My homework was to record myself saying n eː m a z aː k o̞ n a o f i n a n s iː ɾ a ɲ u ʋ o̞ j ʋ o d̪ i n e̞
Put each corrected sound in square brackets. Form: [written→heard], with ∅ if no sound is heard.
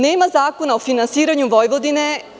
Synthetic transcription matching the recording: n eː m a z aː k o̞ n a o f i n a n s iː ɾ a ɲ u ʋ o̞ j ʋ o d̪ i n e̞